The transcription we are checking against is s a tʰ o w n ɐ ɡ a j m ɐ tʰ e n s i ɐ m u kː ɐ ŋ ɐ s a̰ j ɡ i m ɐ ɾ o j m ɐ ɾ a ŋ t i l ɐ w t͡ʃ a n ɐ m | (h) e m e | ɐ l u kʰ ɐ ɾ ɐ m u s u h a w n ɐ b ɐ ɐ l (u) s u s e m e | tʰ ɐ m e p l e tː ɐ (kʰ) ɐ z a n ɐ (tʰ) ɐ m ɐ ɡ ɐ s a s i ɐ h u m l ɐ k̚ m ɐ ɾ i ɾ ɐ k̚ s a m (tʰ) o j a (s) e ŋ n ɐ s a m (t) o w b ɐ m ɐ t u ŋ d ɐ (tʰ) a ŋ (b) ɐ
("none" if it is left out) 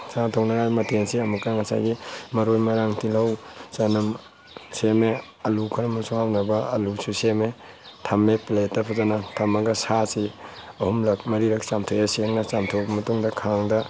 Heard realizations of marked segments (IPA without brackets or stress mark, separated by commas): s, u, pʰ, tʰ, tʰ, s, tʰ, kʰ, d